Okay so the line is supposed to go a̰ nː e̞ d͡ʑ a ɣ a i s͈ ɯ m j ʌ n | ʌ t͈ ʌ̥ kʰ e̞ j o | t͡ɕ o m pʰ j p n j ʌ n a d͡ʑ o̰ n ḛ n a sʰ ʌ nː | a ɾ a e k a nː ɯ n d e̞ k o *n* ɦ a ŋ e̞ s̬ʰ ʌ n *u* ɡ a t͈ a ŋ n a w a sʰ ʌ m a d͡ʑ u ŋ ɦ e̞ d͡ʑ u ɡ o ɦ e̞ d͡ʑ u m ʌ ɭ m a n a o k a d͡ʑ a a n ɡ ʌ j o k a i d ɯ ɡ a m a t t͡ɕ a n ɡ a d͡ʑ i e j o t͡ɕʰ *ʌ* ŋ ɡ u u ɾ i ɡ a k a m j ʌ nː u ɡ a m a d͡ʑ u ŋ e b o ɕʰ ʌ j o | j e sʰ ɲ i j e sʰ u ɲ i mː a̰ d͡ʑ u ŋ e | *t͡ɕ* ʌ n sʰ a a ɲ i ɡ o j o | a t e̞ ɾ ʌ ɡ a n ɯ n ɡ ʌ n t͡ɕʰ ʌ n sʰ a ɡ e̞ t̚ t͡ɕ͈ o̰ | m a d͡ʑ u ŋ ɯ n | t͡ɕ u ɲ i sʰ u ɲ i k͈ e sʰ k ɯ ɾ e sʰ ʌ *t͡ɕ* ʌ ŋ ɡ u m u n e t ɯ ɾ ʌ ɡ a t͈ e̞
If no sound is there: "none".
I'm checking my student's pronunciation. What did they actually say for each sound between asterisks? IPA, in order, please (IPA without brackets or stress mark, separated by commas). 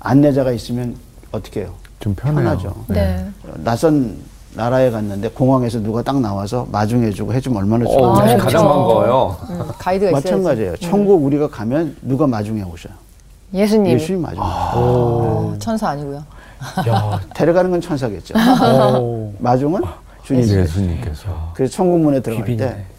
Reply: ŋ, u, ʌ, t͡ɕʰ, t͡ɕʰ